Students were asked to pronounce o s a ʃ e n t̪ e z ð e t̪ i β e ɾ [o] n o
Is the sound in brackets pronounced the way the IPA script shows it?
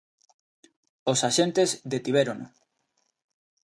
yes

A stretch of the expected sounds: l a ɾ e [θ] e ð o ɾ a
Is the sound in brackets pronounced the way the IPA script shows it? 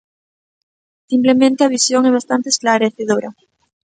yes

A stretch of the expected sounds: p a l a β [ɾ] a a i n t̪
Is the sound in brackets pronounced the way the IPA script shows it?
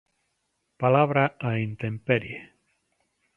yes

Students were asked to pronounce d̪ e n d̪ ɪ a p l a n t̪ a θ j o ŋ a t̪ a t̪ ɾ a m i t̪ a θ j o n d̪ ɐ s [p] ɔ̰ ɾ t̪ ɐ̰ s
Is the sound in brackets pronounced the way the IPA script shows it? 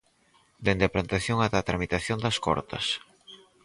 no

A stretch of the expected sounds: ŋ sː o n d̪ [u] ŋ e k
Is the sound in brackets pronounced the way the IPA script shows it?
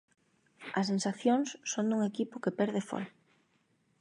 yes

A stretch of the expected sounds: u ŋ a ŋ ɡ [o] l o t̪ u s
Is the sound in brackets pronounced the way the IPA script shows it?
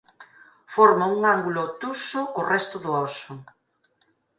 no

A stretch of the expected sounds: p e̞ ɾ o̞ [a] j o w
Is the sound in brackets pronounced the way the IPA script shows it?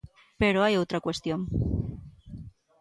yes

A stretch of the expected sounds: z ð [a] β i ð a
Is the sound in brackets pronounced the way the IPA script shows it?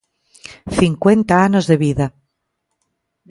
no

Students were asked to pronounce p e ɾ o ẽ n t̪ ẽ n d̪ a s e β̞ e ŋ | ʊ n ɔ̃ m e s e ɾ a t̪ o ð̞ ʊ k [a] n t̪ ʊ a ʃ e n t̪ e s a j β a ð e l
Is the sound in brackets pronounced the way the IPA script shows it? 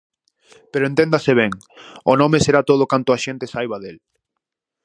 yes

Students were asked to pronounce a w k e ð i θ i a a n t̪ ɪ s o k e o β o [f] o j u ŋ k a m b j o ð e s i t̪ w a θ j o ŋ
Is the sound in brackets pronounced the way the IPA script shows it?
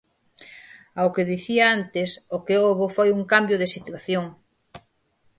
yes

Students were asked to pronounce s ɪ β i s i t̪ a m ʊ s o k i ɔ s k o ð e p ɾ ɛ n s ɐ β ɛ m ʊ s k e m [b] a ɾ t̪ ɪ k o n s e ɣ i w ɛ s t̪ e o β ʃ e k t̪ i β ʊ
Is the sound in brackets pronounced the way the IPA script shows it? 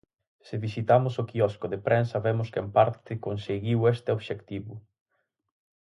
no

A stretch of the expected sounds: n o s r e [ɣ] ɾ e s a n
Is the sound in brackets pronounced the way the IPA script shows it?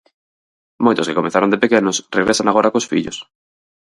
yes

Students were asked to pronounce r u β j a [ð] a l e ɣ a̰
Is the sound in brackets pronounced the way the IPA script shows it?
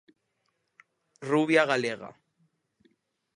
no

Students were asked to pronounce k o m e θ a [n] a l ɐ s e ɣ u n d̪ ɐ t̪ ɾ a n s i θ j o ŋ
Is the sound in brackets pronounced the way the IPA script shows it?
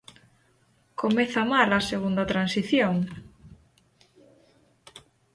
no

